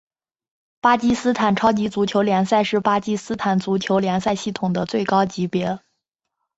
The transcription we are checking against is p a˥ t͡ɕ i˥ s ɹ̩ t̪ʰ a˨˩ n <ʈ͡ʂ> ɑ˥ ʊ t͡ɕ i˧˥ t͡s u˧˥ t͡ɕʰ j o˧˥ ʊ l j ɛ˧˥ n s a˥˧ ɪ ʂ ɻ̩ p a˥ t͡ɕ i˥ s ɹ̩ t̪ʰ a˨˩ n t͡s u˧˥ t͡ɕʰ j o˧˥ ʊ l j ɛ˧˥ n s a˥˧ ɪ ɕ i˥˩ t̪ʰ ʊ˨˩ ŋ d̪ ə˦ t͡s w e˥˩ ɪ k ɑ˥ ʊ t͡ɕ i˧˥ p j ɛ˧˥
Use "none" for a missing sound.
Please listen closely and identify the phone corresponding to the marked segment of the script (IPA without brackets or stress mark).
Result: ʈ͡ʂʰ